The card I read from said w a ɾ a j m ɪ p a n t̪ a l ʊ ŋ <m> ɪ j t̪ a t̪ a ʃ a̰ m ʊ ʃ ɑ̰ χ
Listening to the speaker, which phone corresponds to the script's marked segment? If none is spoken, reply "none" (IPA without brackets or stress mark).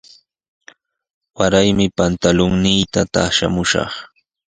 n